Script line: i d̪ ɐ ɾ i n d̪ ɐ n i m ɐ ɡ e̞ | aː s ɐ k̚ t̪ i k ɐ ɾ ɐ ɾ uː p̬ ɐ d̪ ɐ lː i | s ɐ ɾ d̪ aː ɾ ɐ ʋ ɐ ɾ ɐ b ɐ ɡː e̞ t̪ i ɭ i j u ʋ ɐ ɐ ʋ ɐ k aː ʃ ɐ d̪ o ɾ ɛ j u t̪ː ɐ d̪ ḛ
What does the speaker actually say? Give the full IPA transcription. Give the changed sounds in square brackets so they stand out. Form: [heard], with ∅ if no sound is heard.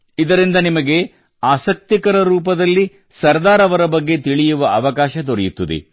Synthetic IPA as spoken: i d̪ ɐ ɾ i n d̪ ɐ n i m ɐ ɡ e̞ | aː s ɐ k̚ t̪ i k ɐ ɾ ɐ ɾ uː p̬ ɐ d̪ ɐ lː i | s ɐ ɾ d̪ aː ɾ ɐ ʋ ɐ ɾ ɐ b ɐ ɡː e̞ t̪ i ɭ i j u ʋ ɐ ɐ ʋ ɐ k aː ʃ ɐ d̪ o ɾ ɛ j u t̪ː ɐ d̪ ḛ